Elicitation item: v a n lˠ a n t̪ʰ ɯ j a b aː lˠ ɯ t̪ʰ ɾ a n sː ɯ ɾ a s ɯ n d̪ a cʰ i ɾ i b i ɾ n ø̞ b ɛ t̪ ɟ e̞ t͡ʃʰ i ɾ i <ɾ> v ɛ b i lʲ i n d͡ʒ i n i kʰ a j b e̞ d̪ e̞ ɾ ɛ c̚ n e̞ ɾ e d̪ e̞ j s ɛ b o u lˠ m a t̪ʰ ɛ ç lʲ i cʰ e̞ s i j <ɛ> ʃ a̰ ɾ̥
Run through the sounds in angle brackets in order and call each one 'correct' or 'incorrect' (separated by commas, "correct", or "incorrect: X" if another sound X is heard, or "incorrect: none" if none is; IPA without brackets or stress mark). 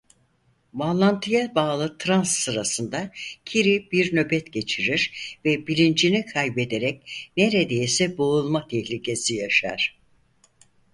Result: correct, incorrect: a